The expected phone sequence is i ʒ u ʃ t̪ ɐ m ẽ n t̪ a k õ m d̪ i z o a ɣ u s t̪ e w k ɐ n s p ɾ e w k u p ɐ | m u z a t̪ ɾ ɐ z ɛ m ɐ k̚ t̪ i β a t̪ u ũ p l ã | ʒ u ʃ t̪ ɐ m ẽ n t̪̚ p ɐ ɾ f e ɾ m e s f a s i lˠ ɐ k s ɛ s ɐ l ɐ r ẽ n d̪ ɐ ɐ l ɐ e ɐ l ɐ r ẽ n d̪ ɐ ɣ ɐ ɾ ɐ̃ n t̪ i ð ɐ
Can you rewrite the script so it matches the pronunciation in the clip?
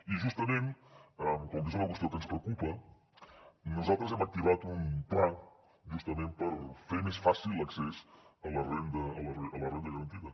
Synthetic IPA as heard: i ʒ u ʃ t̪ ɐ m ẽ n t̪ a k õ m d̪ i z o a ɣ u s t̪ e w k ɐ n s p ɾ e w k u p ɐ | n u z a t̪ ɾ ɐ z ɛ m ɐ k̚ t̪ i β a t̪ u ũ p l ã | ʒ u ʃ t̪ ɐ m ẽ n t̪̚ p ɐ ɾ f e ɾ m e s f a s i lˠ ɐ k s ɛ s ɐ l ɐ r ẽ n d̪ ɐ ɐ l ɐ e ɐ l ɐ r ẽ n d̪ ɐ ɣ ɐ ɾ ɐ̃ n t̪ i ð ɐ